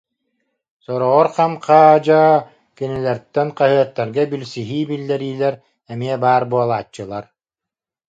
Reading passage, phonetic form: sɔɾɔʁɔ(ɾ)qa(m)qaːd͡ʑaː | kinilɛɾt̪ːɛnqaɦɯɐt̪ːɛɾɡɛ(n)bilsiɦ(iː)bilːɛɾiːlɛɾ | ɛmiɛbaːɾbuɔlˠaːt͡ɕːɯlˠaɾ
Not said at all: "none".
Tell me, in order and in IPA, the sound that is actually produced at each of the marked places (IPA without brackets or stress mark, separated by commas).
ɾ, m, none, iː